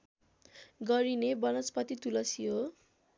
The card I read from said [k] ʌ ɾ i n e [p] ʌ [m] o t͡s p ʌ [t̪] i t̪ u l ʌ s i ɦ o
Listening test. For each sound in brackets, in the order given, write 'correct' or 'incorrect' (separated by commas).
incorrect, incorrect, incorrect, correct